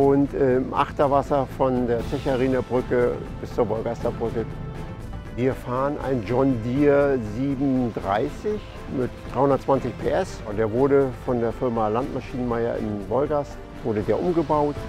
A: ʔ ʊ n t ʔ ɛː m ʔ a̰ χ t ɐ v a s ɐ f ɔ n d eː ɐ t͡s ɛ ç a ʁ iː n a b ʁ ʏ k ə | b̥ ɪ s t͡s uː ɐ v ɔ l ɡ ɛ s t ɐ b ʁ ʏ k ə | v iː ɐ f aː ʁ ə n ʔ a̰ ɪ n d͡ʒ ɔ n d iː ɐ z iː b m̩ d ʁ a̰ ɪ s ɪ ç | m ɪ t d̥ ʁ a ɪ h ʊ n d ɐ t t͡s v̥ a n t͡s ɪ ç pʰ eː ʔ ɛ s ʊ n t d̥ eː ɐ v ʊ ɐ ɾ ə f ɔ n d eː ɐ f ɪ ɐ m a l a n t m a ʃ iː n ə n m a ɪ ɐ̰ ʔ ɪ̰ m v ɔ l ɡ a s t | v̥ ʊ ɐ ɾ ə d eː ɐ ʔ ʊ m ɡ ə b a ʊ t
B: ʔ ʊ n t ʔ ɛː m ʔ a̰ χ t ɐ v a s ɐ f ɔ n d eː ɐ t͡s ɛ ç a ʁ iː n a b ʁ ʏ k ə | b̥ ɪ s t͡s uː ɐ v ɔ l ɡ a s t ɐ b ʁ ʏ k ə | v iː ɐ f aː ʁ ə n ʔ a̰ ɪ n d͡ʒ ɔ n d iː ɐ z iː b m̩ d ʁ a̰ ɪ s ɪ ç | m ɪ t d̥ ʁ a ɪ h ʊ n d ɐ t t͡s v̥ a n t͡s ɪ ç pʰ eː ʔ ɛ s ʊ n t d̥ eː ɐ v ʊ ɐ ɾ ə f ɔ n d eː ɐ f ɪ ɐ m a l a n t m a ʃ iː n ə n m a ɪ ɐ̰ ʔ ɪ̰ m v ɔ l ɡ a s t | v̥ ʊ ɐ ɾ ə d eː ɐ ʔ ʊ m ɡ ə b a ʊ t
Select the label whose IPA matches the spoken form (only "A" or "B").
B